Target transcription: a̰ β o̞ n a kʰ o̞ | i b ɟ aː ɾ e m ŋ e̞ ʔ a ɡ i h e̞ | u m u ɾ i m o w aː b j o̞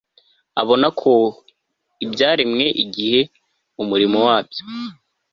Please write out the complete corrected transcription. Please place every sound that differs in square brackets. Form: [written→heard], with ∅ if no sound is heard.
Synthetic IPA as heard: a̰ β o̞ n a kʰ o̞ | i b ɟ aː ɾ [e→i] m ŋ e̞ ʔ [a→i] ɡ i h e̞ | u m u ɾ i m o w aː b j o̞